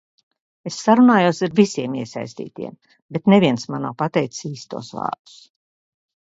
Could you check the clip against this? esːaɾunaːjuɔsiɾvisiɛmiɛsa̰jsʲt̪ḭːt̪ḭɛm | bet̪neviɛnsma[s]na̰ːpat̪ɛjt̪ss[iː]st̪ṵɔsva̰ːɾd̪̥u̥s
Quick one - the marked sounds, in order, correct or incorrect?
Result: incorrect, correct

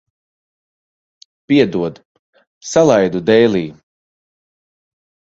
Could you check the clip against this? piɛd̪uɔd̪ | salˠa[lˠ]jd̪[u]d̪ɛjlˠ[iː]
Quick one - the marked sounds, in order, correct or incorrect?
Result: incorrect, correct, correct

